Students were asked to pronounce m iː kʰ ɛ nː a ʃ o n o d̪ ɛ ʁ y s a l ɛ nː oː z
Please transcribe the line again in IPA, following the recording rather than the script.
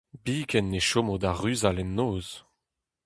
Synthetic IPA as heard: b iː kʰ ɛ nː e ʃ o m o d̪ a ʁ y z a l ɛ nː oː z